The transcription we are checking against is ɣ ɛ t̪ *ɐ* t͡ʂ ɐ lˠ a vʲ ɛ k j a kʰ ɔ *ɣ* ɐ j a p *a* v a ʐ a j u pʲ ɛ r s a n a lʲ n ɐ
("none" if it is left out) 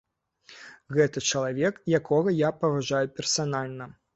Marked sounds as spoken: ɐ, ɣ, ɐ

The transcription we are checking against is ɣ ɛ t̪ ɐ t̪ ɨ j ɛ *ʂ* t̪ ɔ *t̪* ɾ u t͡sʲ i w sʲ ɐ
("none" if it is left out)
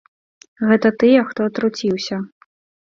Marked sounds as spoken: x, t̪

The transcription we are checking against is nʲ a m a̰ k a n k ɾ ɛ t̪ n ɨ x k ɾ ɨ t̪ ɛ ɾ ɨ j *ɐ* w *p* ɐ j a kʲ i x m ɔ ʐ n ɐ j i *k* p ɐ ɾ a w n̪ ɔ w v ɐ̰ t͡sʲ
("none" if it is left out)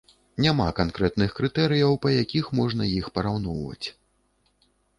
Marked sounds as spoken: ɐ, p, x

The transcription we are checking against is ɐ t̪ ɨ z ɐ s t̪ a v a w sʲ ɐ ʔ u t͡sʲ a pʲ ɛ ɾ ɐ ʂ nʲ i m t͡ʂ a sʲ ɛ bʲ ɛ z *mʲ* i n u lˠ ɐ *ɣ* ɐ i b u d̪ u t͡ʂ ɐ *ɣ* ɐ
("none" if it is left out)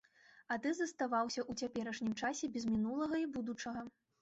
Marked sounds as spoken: mʲ, ɣ, ɣ

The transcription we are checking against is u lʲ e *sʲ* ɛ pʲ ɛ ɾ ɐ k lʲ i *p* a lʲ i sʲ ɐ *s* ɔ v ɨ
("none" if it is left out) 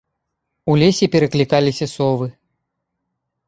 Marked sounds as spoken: sʲ, k, s

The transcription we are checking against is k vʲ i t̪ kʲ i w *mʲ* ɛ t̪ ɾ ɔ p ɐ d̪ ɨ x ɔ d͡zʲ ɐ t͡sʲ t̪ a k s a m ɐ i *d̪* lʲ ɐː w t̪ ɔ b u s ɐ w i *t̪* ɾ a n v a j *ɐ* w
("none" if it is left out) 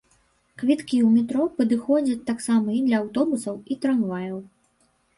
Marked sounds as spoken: mʲ, d̪, t̪, ɐ

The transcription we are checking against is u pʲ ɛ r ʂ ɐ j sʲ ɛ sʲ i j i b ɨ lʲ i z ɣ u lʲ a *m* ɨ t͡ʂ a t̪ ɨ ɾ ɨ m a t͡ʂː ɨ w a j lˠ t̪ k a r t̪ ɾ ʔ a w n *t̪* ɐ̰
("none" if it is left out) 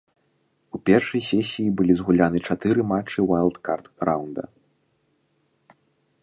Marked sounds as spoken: n, d̪

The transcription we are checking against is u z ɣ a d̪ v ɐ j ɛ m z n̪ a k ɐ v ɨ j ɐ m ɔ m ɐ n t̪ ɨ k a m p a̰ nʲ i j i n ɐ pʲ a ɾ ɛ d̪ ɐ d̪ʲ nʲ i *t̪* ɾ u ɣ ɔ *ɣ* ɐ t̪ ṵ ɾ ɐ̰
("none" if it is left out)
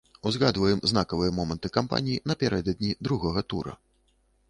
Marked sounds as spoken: d̪, ɣ

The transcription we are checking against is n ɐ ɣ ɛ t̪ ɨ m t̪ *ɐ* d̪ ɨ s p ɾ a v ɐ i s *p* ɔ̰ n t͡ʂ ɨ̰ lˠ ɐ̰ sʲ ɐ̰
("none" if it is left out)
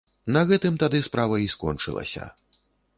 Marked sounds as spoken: a, k

